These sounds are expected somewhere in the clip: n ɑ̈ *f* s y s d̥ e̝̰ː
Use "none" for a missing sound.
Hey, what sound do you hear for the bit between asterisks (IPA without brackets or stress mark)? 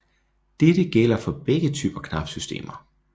f